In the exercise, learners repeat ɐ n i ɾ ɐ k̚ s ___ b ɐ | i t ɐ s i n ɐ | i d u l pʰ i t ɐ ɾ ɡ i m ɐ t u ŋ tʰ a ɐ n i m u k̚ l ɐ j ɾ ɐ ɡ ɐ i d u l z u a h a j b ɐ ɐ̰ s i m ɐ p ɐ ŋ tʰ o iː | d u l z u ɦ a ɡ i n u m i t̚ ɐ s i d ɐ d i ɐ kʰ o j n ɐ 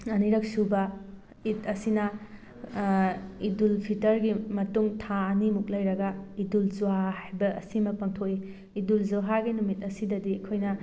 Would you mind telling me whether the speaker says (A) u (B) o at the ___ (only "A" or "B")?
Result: A